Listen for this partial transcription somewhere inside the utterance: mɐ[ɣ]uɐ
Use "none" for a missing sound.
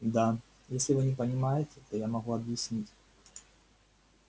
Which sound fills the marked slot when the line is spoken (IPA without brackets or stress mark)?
ɣ